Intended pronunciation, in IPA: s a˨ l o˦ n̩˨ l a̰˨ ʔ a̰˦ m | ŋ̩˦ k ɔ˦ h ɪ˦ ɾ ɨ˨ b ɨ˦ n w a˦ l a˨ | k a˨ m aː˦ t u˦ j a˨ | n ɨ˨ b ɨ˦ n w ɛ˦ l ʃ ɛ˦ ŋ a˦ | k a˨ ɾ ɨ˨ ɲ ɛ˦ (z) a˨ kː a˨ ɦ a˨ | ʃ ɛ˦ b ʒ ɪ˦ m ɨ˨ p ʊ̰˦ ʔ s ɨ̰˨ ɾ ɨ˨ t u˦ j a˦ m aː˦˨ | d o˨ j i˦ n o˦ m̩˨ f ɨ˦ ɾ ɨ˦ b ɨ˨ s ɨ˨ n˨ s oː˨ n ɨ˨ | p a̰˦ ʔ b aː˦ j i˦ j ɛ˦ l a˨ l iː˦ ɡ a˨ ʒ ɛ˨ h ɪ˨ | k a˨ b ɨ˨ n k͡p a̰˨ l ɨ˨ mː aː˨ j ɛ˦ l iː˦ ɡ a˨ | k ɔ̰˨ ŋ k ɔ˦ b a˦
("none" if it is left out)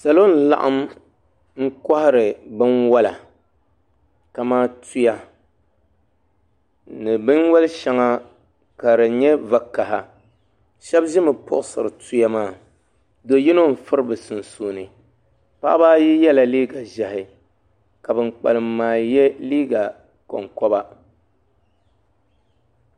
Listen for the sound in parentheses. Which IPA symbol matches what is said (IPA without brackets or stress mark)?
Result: v